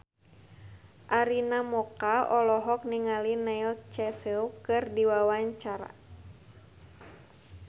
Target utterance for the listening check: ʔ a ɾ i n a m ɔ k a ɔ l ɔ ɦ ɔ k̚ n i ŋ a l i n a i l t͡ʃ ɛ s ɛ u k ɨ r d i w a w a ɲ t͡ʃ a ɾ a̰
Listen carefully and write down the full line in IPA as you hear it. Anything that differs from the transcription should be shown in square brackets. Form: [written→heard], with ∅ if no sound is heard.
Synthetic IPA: ʔ a ɾ i n a m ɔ k a ɔ l ɔ ɦ ɔ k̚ n i ŋ a l i n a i l t͡ʃ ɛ s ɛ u k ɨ r d i w a w a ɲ t͡ʃ a ɾ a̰